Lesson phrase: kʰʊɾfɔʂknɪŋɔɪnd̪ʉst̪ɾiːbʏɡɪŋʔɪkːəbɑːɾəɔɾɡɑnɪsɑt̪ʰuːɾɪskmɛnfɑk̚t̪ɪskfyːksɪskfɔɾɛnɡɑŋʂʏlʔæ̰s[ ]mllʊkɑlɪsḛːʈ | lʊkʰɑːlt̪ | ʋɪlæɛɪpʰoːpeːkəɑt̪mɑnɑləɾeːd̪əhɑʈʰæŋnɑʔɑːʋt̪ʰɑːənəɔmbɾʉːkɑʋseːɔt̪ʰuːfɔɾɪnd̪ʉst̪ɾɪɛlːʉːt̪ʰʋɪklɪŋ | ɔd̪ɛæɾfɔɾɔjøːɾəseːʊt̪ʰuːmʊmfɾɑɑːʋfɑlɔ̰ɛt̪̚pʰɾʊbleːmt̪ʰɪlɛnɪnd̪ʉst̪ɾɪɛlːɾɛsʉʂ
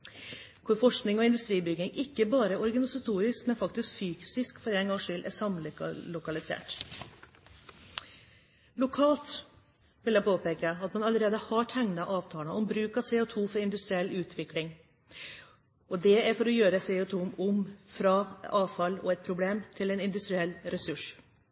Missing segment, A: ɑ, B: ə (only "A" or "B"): A